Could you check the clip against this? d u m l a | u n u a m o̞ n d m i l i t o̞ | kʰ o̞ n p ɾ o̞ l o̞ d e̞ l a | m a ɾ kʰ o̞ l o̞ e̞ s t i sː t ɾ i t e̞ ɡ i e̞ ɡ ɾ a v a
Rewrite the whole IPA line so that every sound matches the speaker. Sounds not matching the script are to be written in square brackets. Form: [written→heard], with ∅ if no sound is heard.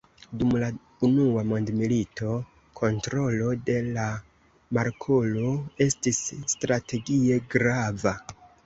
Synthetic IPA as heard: d u m l a | u n u a m o̞ n d m i l i t o̞ | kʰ o̞ n [p→t] ɾ o̞ l o̞ d e̞ l a | m a ɾ kʰ o̞ l o̞ e̞ s t i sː t ɾ [i→a] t e̞ ɡ i e̞ ɡ ɾ a v a